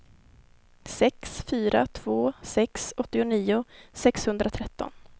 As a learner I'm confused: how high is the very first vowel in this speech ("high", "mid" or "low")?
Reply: mid